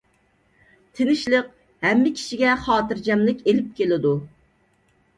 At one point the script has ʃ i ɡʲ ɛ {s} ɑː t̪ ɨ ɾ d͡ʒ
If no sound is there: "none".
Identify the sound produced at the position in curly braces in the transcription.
χ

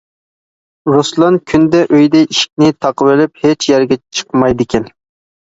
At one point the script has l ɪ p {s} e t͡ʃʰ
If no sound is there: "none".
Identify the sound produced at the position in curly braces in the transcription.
h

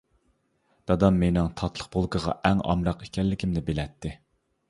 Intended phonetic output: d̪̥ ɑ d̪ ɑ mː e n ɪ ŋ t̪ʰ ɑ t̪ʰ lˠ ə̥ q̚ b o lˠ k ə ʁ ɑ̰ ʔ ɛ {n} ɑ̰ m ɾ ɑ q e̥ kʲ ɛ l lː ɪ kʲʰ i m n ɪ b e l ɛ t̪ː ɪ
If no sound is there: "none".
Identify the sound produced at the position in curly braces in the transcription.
ŋ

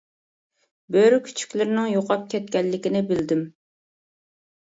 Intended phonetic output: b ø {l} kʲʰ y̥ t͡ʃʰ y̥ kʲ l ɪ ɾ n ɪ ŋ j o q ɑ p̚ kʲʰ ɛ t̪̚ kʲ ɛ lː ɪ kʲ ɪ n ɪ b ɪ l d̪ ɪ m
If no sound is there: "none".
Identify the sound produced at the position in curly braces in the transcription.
ɾ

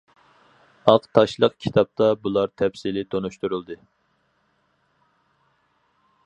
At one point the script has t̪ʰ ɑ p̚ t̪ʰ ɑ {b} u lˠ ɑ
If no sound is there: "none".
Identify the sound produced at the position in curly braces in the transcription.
b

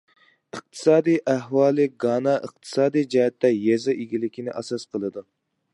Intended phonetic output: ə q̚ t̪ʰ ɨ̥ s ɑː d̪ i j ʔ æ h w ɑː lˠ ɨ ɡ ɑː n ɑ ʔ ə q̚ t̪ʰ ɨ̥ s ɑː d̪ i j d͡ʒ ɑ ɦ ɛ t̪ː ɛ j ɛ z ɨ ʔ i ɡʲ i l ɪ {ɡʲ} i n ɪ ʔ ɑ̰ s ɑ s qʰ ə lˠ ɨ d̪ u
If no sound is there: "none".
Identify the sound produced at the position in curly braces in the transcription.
kʲ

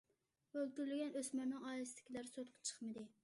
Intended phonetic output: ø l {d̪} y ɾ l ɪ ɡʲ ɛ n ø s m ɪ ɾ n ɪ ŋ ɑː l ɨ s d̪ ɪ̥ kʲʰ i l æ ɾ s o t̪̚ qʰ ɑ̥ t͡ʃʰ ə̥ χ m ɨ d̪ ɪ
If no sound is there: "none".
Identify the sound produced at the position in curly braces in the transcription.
t̪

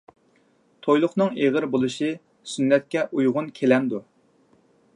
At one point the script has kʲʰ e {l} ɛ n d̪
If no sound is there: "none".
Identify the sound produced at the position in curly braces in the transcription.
l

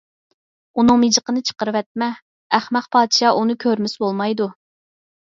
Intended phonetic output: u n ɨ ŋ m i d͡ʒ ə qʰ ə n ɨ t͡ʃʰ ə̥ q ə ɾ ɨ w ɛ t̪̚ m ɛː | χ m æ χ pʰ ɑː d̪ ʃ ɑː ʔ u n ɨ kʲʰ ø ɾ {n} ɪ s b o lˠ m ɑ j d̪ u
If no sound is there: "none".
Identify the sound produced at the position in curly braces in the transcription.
m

